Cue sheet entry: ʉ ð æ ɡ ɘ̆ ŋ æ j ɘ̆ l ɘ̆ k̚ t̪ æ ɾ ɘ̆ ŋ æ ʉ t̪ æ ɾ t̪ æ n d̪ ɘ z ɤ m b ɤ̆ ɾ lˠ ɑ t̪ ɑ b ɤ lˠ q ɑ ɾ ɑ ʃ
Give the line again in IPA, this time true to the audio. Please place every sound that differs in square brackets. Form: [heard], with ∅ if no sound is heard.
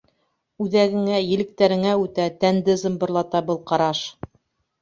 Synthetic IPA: ʉ ð æ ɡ ɘ̆ ŋ æ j ɘ̆ l ɘ̆ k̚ t̪ æ ɾ ɘ̆ ŋ æ ʉ t̪ æ [∅] t̪ æ n d̪ ɘ z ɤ m b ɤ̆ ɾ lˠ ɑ t̪ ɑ b ɤ lˠ q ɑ ɾ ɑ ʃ